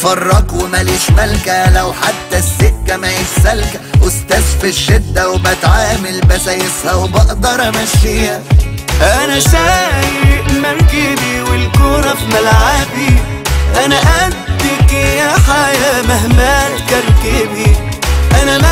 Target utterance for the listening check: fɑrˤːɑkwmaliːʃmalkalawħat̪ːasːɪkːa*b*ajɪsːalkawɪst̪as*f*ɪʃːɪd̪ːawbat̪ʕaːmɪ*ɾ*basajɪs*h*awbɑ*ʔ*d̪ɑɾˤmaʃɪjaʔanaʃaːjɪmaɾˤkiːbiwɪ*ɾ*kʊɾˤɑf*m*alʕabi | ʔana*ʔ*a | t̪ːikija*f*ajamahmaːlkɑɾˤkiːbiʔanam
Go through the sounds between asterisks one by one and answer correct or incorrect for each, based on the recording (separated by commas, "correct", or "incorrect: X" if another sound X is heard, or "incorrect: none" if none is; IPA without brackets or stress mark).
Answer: incorrect: m, correct, incorrect: l, correct, correct, incorrect: l, correct, correct, incorrect: ħ